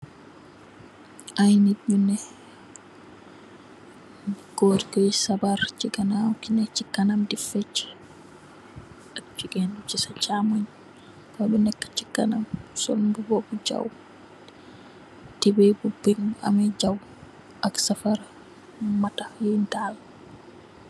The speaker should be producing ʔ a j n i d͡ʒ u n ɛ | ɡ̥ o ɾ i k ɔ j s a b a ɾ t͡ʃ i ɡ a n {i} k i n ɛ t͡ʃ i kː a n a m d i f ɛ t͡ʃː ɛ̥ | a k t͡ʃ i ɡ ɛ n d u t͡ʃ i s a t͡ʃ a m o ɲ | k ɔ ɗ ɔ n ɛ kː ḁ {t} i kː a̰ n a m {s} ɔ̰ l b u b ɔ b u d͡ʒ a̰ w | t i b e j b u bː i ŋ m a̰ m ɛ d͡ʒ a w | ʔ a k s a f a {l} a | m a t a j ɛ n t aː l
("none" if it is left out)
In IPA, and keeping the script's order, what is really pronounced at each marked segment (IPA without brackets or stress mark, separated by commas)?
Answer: a, t͡ʃ, s, ɾ